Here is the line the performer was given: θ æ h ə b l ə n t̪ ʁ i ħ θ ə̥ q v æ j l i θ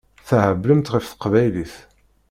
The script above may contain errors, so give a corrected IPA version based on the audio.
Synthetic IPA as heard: θ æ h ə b l ə m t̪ ʁ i f θ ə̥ q v æ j l i θ

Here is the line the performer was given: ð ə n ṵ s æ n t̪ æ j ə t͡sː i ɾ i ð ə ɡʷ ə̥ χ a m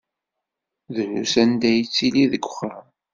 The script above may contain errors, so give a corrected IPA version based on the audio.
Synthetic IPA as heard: ð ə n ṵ s æ n d̪ æ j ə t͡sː i l i ð ə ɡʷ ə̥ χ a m

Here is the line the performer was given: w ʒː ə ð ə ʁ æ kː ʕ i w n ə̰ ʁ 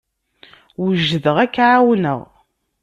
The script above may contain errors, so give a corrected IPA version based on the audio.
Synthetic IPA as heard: w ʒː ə ð ə ʁ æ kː ʕ a w n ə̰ ʁ

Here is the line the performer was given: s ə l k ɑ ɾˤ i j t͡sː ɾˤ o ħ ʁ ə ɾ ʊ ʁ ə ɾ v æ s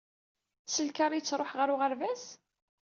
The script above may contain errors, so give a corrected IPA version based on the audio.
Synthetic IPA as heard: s ə l k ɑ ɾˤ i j t͡sː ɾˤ o ħ ʁ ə ɾ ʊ ʁ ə ɾ v æ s

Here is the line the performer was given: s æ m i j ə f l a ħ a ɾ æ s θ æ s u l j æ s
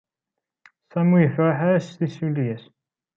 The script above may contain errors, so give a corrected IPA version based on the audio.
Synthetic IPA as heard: s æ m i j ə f ɾ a ħ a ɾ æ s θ i s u l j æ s

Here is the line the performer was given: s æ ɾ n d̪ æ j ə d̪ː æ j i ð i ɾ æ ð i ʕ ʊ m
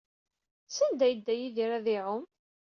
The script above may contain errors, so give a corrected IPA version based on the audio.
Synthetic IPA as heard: s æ n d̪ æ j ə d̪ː æ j i ð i ɾ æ ð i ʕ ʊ m

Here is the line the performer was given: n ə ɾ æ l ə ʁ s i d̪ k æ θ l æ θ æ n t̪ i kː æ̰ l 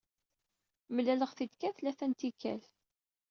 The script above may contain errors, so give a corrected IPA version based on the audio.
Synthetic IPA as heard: m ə l æ l ə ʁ θ i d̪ k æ θ l æ θ æ n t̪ i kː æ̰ l

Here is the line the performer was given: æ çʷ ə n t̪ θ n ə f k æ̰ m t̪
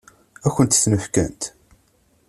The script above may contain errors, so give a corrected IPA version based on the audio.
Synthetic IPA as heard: æ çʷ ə n t̪ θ n ə f k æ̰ n t̪

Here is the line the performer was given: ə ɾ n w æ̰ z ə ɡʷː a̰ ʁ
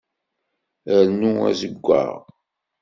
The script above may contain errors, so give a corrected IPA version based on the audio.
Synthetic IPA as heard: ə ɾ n u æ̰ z ə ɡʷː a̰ ʁ

